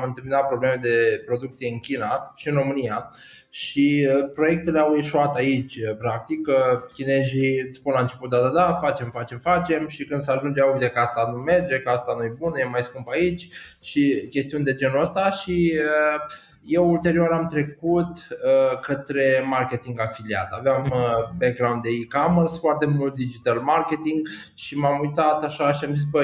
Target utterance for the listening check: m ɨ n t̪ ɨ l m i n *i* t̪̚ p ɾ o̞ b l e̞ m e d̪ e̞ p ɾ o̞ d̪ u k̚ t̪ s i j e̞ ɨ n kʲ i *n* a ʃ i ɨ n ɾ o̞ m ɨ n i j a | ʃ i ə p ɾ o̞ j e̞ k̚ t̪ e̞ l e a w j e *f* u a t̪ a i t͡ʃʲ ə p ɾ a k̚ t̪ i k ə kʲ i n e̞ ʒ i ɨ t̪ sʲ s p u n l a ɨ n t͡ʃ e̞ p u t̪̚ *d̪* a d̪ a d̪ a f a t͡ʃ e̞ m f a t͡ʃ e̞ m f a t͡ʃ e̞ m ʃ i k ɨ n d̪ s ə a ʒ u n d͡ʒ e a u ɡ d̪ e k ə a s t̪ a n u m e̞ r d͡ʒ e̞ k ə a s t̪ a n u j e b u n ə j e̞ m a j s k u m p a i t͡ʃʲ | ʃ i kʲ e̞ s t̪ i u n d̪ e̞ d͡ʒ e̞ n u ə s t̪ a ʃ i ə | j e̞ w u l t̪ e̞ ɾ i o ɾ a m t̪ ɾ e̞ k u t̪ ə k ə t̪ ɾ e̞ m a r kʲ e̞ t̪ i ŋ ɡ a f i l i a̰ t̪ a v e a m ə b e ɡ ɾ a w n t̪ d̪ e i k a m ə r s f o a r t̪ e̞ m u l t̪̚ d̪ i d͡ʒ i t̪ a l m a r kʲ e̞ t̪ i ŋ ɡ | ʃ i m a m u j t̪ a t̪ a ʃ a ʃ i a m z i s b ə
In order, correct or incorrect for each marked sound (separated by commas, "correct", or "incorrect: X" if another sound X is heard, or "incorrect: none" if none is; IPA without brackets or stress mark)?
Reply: incorrect: a, correct, incorrect: ʃ, correct